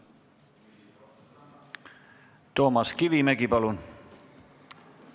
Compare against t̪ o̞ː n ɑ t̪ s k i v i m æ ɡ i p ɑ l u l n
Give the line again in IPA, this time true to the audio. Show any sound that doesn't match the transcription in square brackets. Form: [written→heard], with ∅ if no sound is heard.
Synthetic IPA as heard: t̪ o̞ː [n→m] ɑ [t̪→∅] s k i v i m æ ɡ i p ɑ l u [l→∅] n